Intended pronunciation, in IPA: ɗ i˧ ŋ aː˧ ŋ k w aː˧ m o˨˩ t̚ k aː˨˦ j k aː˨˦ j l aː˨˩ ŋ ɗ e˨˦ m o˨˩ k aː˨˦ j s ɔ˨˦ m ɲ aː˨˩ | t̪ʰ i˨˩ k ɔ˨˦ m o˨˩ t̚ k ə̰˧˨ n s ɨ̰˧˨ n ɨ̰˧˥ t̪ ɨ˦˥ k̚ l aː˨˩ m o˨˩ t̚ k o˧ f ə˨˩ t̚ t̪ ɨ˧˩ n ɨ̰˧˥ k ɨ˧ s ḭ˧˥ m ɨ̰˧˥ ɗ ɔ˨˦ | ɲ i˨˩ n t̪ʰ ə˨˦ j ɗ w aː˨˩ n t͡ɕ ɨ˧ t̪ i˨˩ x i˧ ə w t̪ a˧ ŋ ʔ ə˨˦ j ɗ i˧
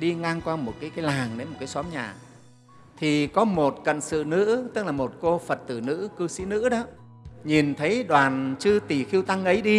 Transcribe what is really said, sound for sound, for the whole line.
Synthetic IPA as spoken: ɗ i˧ ŋ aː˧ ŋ k w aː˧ m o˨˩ t̚ k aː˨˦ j k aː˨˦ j l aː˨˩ ŋ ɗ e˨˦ m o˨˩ k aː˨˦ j s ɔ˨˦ m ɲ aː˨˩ | t̪ʰ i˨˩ k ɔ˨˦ m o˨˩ t̚ k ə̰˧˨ n s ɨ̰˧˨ n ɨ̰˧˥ t̪ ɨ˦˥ k̚ l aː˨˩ m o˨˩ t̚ k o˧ f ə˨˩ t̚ t̪ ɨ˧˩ n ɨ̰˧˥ k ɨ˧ s ḭ˧˥ n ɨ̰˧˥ ɗ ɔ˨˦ | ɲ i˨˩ n t̪ʰ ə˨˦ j ɗ w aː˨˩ n t͡ɕ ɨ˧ t̪ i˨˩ x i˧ ə w t̪ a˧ ŋ ʔ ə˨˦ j ɗ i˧